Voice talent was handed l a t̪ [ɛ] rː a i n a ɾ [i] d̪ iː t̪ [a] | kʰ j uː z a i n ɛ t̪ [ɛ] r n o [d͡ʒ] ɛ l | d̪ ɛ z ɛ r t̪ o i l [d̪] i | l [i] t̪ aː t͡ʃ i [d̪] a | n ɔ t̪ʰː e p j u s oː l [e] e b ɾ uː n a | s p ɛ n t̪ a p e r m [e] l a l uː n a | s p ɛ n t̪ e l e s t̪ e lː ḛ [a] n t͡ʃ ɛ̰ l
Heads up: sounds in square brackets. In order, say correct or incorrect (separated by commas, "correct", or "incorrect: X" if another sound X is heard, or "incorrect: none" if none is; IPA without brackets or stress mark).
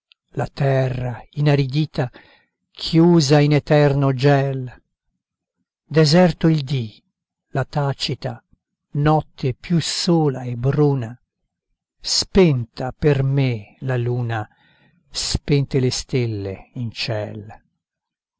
correct, correct, correct, correct, correct, correct, incorrect: a, incorrect: t̪, incorrect: a, correct, incorrect: i